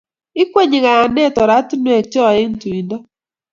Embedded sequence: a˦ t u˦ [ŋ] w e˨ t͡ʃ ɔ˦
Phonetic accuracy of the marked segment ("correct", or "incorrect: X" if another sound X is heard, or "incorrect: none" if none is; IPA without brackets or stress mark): incorrect: n